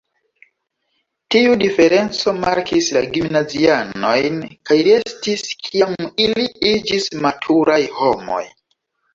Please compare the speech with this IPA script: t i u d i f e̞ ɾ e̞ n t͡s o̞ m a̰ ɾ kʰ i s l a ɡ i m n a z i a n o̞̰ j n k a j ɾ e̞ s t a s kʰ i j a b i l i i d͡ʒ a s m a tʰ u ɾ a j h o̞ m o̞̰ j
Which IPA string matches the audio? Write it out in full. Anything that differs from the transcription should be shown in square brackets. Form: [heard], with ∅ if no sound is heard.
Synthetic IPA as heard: t i u d i f e̞ ɾ e̞ n t͡s o̞ m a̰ ɾ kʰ i s l a ɡ i m n a z i a n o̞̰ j n k a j ɾ e̞ s t [i] s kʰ i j a [m] i l i i d͡ʒ [i] s m a tʰ u ɾ a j h o̞ m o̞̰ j